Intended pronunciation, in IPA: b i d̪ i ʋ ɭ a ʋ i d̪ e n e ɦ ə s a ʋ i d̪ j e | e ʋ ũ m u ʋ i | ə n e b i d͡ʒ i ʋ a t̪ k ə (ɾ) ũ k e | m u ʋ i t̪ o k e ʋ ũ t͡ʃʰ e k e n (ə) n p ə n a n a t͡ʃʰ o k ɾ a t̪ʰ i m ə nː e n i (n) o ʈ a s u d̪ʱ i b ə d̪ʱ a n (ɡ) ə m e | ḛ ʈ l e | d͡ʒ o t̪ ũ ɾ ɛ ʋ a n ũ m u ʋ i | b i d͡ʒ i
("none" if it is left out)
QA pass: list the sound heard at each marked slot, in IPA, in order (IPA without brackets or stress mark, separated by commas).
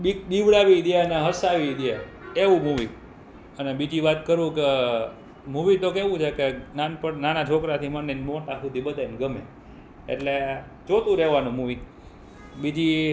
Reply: ɾ, a, m, ɡ